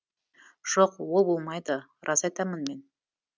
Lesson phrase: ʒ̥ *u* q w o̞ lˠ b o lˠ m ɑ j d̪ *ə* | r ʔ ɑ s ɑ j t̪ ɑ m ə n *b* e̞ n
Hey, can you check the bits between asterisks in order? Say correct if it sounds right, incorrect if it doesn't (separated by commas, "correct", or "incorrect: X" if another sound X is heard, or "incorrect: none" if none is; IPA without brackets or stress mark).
incorrect: o, correct, incorrect: m